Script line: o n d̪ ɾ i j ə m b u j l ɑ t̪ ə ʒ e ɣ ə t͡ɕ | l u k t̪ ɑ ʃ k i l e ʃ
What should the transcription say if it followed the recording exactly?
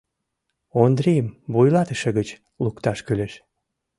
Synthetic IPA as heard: o n d̪ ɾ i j ə m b u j l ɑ t̪ ə ʃ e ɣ ə t͡ɕ | l u k t̪ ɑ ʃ k y l e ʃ